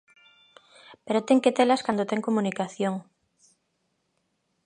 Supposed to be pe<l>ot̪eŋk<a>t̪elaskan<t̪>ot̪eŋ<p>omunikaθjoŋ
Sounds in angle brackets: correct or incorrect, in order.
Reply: incorrect, incorrect, incorrect, incorrect

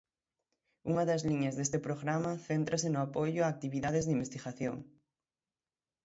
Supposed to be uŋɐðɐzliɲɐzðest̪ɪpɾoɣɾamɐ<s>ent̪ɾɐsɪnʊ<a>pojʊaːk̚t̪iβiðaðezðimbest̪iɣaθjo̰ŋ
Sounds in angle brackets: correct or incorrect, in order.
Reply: incorrect, correct

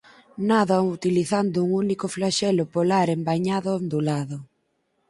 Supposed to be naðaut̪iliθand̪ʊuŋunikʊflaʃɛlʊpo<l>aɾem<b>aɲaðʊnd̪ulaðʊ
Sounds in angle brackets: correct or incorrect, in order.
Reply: correct, correct

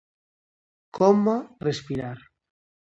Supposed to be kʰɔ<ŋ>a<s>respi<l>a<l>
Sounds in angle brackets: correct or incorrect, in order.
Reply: incorrect, incorrect, incorrect, incorrect

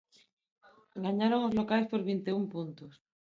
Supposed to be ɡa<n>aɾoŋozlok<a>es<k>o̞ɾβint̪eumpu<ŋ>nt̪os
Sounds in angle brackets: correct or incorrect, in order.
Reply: incorrect, correct, incorrect, incorrect

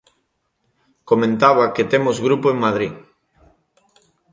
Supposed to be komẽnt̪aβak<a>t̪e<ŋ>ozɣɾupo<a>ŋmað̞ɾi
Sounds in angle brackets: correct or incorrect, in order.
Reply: incorrect, incorrect, incorrect

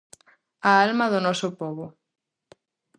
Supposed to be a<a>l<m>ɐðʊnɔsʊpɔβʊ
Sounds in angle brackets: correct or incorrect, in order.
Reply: correct, correct

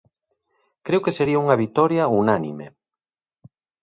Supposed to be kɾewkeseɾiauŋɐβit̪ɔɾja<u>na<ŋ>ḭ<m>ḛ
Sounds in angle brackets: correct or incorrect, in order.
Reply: correct, incorrect, correct

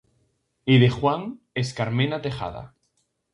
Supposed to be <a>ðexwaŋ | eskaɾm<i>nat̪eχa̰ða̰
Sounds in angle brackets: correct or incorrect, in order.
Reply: incorrect, incorrect

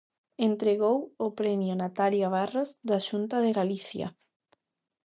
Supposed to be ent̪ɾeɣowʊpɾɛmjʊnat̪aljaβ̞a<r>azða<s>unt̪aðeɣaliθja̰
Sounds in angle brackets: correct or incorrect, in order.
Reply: correct, incorrect

